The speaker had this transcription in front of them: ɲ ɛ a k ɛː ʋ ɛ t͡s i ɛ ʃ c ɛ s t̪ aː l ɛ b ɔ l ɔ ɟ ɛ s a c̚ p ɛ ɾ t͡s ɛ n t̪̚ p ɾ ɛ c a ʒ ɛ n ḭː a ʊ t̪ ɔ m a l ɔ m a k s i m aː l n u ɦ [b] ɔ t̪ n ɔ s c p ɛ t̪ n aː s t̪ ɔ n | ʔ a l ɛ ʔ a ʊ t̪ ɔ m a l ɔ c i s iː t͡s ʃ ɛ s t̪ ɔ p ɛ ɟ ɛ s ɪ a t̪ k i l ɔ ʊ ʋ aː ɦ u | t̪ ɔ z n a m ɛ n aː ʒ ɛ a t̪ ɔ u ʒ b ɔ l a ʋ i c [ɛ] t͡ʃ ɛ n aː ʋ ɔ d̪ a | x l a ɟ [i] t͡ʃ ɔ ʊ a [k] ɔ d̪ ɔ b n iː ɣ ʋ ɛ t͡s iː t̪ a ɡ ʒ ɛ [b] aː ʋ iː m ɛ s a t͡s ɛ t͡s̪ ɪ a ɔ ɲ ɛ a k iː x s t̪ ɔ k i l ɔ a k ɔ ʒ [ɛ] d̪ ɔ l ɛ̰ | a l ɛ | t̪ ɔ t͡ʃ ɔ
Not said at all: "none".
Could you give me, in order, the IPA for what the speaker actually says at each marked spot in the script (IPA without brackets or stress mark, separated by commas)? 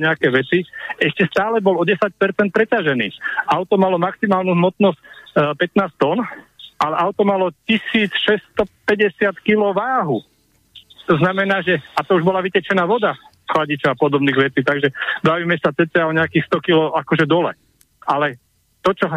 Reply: m, ɛ, i, p, b, ɛ